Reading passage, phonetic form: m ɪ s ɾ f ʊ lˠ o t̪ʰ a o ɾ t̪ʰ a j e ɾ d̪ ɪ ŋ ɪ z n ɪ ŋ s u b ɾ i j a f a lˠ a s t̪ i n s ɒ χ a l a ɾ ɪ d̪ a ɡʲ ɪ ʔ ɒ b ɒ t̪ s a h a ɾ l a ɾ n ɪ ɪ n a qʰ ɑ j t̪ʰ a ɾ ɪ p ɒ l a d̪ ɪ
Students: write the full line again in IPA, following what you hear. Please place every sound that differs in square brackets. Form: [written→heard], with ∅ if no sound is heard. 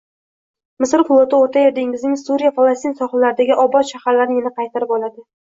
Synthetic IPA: m ɪ s ɾ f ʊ lˠ o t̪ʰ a o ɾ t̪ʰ a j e ɾ d̪ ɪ ŋ ɪ z n ɪ ŋ s u [b→∅] ɾ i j a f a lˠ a s t̪ i n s ɒ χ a l a ɾ ɪ d̪ a ɡʲ ɪ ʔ ɒ b ɒ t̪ [s→ʃ] a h a ɾ l a ɾ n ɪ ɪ n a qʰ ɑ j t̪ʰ a ɾ ɪ p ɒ l a d̪ ɪ